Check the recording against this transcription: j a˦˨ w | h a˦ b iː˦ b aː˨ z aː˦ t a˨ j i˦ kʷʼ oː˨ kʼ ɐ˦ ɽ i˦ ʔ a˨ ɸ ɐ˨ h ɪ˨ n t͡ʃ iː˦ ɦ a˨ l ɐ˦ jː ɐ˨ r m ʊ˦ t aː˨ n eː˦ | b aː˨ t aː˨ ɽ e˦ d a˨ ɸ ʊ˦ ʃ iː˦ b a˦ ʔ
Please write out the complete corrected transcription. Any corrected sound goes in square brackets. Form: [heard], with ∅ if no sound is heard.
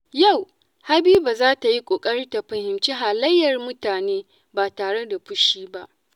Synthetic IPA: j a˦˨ w | h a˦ b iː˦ b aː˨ z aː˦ t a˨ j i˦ kʷʼ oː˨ kʼ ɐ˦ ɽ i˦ [t] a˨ ɸ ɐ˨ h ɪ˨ [m] t͡ʃ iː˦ ɦ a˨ l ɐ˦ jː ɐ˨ r m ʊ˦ t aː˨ n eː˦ | b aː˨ t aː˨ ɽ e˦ d a˨ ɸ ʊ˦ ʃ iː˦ b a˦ ʔ